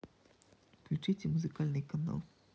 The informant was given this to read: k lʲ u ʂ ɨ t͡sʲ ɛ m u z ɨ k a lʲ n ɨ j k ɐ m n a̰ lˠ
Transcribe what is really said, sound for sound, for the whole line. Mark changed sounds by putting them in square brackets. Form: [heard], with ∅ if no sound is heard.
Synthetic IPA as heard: k lʲ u [t͡ʂ] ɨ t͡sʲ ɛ m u z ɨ k a lʲ n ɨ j k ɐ [∅] n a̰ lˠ